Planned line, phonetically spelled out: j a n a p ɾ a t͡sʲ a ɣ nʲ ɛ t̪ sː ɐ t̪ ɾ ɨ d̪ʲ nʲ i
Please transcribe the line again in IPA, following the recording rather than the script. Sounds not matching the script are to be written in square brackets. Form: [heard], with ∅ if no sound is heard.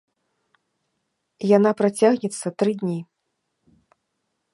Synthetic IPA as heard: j a n a p ɾ a t͡sʲ a ɣ nʲ ɛ t̪ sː ɐ t̪ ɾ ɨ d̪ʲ nʲ i